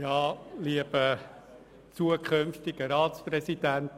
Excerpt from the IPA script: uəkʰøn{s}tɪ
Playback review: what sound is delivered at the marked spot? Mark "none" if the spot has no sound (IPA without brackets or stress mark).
f